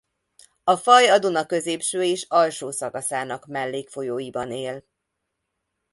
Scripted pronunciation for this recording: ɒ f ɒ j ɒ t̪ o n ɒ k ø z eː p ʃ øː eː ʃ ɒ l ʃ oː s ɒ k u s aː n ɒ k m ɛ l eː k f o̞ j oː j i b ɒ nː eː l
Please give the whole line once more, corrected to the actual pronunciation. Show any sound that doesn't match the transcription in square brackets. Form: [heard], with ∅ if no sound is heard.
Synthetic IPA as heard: ɒ f ɒ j ɒ [d̪] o n ɒ k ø z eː p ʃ øː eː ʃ ɒ l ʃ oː s ɒ k [ɒ] s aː n ɒ k m ɛ [lː] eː k f o̞ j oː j i b ɒ [n] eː l